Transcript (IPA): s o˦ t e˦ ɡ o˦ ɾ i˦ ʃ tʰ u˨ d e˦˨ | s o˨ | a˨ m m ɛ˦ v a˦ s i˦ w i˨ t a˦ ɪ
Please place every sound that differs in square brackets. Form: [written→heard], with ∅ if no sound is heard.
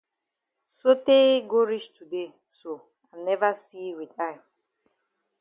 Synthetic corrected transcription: s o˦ t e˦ ɡ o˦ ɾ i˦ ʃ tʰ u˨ d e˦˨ | s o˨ | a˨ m [m→n] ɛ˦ v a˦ s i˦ w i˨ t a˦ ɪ

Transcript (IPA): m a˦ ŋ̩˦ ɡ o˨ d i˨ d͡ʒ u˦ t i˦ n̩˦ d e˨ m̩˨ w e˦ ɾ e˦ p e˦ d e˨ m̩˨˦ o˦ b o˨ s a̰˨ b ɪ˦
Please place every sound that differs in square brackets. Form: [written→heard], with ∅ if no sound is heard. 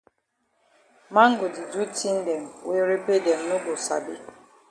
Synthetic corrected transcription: m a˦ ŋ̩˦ ɡ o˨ d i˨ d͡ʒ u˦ t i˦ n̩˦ d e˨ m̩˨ w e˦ ɾ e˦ p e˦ d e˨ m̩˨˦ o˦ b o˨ s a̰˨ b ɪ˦

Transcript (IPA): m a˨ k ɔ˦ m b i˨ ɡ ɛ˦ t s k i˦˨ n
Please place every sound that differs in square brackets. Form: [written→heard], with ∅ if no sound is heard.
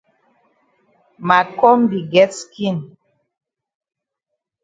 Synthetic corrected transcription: m a˨ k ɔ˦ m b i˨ ɡ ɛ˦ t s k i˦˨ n

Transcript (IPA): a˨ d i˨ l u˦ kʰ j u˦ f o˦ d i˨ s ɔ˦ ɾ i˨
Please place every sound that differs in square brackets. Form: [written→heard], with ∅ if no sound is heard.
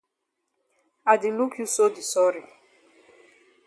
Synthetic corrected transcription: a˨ d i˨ l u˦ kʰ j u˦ [f→s] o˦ d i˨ s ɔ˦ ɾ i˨

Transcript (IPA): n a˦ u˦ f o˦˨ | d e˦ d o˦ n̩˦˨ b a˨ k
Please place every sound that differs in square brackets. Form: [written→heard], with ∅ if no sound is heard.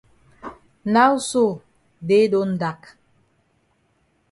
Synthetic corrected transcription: n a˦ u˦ [f→s] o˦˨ | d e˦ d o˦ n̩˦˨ [b→d] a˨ k

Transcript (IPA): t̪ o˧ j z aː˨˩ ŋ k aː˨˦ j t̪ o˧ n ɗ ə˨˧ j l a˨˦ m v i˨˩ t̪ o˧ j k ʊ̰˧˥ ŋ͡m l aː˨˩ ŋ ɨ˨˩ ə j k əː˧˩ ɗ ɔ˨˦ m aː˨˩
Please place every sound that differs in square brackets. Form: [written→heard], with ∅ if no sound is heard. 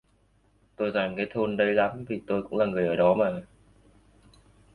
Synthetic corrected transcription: t̪ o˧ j z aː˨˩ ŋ k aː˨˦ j [t̪→t̪ʰ] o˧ n ɗ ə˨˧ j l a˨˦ m v i˨˩ t̪ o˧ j k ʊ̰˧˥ ŋ͡m l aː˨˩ ŋ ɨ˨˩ ə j [k→ʔ] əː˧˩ ɗ ɔ˨˦ m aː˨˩

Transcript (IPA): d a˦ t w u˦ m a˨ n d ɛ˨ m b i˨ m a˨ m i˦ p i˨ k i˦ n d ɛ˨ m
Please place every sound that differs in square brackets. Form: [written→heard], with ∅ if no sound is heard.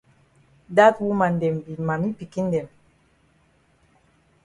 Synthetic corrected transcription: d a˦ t w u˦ m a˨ n d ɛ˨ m b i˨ m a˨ m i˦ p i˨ k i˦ n d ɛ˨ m

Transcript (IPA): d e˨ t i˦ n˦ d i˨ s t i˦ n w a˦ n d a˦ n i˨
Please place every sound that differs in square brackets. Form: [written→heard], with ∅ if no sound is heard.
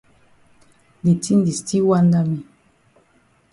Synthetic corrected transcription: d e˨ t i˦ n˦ d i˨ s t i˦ [n→∅] w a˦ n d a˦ [n→m] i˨

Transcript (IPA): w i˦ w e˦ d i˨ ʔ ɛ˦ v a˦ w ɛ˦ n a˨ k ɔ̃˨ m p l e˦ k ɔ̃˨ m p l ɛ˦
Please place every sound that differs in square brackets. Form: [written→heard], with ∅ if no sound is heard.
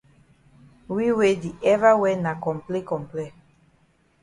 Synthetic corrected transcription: w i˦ w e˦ d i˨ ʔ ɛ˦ v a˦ w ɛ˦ n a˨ k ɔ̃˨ m p l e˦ k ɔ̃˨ m p l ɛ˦

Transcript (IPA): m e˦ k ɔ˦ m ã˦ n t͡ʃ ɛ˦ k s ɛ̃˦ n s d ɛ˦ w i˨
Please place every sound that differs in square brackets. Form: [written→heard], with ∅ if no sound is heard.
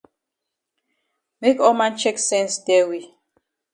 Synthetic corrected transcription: m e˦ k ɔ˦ m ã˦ n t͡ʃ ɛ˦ k s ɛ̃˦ n s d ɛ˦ w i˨

